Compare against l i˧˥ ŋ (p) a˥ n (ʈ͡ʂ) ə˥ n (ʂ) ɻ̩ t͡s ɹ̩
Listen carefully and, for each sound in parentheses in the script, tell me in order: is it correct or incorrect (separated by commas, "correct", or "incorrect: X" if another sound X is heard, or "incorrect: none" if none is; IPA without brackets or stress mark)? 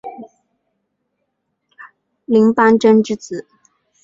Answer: correct, correct, incorrect: ʈ͡ʂ